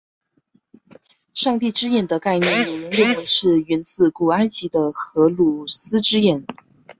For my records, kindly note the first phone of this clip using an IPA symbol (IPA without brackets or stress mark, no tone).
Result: ʂ